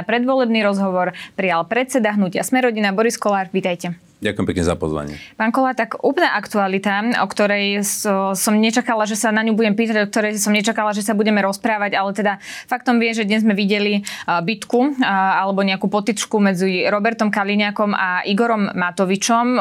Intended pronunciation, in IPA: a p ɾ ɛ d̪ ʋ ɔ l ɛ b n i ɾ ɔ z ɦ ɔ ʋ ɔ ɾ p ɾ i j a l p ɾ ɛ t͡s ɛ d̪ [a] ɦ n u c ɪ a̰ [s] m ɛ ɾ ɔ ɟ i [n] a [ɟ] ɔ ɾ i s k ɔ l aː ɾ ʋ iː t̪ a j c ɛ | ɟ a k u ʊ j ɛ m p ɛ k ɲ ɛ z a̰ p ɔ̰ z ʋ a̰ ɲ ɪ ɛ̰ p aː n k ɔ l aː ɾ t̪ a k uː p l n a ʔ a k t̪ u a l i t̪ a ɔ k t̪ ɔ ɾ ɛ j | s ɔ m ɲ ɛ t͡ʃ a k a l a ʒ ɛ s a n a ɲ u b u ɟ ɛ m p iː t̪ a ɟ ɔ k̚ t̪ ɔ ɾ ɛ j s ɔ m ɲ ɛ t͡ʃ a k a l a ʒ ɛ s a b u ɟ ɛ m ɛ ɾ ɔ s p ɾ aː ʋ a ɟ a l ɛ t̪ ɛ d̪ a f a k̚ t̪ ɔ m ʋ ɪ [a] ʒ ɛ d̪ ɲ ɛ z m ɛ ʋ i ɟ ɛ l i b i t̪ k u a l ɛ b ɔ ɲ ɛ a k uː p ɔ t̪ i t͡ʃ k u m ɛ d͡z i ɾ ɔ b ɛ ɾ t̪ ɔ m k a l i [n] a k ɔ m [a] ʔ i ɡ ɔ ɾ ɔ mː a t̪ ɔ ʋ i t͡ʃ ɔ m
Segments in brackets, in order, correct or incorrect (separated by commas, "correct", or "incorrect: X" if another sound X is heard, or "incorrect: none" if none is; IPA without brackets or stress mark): correct, correct, correct, incorrect: b, incorrect: ɛ, incorrect: ɲ, correct